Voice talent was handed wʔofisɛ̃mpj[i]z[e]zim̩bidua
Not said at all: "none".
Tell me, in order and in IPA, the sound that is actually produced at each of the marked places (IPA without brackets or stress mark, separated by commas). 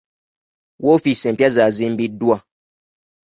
a, a